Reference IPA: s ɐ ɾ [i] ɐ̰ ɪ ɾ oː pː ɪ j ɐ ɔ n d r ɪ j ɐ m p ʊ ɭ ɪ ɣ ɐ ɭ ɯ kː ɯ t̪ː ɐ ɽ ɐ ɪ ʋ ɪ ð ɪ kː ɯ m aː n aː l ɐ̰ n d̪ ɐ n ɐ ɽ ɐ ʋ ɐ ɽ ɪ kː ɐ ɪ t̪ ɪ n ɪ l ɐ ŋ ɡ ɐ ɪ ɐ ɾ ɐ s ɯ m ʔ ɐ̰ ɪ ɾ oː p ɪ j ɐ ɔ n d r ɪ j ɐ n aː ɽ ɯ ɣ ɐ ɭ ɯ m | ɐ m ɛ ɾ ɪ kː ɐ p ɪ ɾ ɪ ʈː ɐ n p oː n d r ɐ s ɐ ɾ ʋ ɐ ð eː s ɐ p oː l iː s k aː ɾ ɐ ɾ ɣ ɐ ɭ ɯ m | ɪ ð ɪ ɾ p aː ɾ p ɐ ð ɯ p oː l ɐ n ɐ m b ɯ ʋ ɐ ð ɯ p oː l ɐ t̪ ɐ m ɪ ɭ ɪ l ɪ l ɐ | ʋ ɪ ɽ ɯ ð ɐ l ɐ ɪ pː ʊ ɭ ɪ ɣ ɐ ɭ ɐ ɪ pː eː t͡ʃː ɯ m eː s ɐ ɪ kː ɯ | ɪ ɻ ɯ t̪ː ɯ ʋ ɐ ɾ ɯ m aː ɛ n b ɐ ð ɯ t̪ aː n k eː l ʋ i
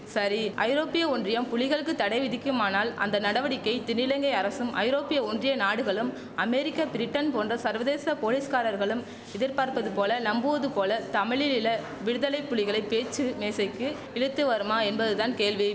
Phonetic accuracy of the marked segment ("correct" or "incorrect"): correct